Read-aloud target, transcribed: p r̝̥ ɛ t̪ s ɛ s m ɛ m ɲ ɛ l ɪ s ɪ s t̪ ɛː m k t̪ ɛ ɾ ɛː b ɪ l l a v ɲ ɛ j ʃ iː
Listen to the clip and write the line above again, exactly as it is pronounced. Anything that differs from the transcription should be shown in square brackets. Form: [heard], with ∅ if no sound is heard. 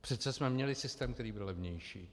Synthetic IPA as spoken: p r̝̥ ɛ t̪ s ɛ s m ɛ m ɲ ɛ l ɪ s ɪ s t̪ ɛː m k t̪ ɛ ɾ [iː] b ɪ l l [ɛ] v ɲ ɛ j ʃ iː